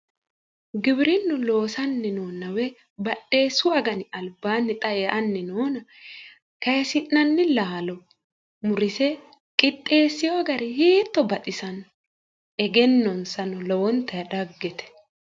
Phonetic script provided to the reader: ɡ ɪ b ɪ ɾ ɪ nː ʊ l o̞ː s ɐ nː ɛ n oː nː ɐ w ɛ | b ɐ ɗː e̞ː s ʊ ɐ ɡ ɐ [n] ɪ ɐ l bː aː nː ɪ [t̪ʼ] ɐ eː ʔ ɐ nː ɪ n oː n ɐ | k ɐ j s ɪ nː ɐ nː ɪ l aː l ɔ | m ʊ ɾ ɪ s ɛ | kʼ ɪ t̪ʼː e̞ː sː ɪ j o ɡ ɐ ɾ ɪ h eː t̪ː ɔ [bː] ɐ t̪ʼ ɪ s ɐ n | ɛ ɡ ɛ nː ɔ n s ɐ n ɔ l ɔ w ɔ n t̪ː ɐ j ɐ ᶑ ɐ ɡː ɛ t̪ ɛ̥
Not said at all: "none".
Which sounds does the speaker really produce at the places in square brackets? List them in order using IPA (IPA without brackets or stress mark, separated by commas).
n, t̪ʼ, b